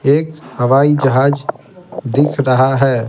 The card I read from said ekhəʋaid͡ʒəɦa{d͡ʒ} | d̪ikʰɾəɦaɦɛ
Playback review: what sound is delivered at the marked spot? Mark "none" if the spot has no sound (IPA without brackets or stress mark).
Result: d͡ʒ